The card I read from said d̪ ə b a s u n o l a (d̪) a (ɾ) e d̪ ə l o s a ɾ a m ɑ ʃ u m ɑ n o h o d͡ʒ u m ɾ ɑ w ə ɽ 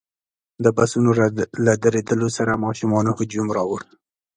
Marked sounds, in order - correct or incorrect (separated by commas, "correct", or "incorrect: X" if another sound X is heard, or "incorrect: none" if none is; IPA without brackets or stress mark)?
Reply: correct, correct